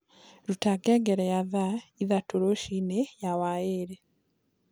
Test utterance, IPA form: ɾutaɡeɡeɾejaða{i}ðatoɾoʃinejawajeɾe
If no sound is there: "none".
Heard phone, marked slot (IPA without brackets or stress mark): i